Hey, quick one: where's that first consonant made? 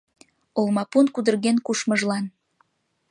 tongue tip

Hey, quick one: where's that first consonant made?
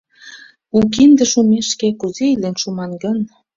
velum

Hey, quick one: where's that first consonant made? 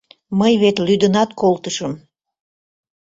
lips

